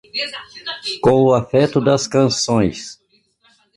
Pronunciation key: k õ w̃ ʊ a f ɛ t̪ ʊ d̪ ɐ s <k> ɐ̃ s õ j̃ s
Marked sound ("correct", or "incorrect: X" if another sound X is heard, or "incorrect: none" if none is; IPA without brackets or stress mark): correct